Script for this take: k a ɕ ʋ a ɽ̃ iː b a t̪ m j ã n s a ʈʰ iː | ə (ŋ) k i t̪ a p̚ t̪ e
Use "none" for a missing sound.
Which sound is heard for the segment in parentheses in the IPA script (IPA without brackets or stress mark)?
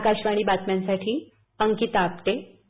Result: ŋ